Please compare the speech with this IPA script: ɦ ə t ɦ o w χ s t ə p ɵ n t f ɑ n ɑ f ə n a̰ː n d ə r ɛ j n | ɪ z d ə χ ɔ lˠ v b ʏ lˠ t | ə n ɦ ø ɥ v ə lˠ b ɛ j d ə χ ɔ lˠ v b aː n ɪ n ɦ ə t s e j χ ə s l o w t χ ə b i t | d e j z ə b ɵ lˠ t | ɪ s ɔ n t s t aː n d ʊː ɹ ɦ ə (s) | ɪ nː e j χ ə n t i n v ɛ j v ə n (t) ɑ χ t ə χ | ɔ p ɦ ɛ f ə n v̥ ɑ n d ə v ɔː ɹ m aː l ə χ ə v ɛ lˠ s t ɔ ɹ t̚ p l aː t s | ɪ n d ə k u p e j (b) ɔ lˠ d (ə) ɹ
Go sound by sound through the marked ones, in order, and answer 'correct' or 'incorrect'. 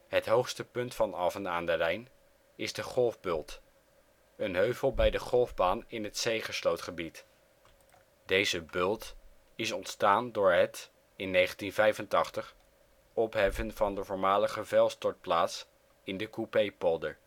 incorrect, correct, incorrect, correct

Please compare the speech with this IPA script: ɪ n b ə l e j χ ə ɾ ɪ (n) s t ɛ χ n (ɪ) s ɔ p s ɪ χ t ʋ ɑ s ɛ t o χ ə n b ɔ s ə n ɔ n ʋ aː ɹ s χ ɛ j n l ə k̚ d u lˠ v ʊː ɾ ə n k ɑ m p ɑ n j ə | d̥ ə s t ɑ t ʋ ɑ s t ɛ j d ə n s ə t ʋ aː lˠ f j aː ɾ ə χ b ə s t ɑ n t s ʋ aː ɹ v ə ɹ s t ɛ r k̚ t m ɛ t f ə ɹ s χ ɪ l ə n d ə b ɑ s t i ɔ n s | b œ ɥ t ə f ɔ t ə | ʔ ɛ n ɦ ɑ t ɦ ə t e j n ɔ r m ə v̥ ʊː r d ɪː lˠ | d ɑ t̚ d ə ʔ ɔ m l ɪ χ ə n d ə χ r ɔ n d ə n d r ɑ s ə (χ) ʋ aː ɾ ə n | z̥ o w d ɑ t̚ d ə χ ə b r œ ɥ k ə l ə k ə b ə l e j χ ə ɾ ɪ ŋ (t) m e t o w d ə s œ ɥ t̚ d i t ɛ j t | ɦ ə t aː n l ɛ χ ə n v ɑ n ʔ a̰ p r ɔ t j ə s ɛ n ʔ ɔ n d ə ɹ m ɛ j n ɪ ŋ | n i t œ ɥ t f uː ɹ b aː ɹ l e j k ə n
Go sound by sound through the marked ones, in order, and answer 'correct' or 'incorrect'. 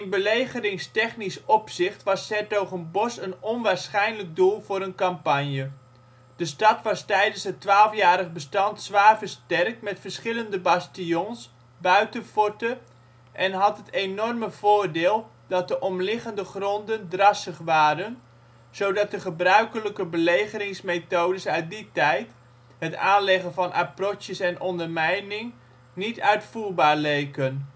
incorrect, incorrect, correct, incorrect

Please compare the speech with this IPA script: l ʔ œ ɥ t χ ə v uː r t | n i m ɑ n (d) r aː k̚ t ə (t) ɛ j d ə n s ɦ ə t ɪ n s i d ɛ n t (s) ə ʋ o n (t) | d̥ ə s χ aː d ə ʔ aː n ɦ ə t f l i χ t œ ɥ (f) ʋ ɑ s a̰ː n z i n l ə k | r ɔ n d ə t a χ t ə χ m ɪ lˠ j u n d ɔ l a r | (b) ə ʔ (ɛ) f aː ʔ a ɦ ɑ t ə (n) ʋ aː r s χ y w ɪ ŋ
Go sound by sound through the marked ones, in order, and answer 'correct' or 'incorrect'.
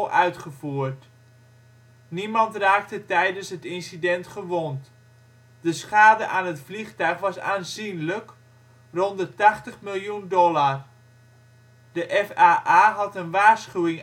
incorrect, correct, incorrect, correct, incorrect, incorrect, correct, correct

